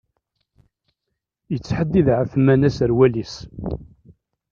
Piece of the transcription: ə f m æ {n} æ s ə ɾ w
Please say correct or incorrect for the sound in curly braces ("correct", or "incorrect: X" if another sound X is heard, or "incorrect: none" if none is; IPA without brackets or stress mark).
correct